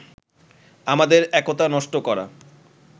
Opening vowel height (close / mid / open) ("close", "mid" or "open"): open